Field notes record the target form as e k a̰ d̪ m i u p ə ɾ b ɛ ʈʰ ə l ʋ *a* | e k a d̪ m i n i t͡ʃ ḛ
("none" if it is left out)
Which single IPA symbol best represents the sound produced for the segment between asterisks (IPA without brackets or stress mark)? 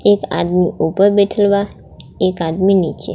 a